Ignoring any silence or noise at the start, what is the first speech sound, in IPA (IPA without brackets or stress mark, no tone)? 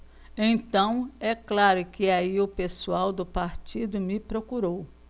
ẽ